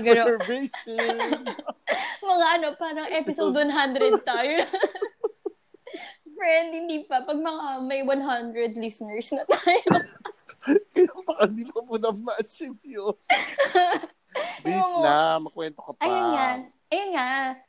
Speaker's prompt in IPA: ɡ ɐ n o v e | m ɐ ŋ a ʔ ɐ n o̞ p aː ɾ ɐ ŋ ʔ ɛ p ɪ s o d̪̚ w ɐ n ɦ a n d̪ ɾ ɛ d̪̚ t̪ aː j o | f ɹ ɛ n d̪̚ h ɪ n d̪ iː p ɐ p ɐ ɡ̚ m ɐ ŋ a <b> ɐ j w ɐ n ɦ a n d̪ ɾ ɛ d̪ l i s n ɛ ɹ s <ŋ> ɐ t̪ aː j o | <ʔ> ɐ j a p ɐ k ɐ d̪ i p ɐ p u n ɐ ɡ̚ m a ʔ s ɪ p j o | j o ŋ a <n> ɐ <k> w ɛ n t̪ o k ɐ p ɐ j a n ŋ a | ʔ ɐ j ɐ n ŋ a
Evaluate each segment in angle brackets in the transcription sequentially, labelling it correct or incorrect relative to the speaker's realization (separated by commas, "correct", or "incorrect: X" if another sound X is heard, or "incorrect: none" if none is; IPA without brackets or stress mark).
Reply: incorrect: m, incorrect: n, incorrect: k, incorrect: m, correct